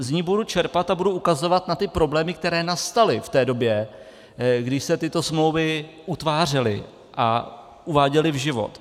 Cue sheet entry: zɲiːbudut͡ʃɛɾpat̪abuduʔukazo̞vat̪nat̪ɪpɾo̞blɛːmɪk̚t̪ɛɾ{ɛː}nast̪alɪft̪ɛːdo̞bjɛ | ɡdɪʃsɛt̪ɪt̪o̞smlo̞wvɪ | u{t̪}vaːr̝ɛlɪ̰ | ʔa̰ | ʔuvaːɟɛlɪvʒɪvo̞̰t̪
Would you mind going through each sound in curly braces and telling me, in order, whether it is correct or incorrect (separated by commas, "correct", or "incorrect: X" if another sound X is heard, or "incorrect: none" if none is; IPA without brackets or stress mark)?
correct, correct